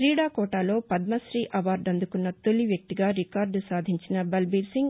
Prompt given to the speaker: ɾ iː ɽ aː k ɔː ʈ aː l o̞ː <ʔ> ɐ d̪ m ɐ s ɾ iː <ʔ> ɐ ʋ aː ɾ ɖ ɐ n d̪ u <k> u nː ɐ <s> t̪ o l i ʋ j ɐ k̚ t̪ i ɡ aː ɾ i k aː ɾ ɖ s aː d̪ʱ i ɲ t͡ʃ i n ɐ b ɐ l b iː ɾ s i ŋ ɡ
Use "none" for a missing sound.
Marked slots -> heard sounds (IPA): p, ʔ, k, none

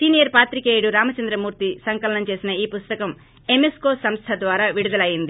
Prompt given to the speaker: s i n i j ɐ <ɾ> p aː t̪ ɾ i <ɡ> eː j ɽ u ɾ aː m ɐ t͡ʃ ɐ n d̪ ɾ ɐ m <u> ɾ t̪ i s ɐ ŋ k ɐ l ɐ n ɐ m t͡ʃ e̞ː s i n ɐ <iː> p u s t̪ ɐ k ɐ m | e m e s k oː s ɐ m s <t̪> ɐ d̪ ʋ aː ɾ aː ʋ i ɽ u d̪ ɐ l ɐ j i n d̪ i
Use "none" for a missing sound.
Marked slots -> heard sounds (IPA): ɾ, k, uː, iː, t̪ʰ

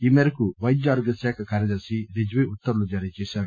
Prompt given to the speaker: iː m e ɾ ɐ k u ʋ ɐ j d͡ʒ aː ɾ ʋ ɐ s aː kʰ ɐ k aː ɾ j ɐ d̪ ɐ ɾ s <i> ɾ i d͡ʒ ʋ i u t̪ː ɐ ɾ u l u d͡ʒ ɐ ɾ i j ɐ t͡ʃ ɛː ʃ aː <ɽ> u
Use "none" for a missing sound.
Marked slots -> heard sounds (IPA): i, ɽ

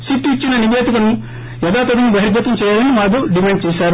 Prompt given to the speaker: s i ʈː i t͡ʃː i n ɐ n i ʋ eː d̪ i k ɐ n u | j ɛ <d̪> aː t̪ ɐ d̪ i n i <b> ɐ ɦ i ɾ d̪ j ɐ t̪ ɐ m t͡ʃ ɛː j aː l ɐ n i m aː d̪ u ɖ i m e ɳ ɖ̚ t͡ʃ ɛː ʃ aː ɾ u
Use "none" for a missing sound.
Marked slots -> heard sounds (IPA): d̪, b

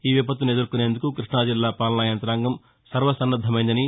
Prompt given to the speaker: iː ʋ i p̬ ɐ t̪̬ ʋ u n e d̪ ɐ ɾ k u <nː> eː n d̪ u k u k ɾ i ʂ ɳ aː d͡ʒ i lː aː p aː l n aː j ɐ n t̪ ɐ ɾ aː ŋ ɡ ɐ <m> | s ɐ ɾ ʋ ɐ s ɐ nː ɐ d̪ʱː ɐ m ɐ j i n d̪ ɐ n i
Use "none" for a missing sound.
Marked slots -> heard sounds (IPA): n, m

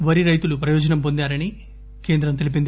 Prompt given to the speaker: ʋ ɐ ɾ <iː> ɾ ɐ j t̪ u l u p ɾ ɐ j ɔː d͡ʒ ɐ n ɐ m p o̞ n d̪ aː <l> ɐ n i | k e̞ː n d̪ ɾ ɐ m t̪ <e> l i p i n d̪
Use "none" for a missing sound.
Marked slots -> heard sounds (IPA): i, ɾ, e

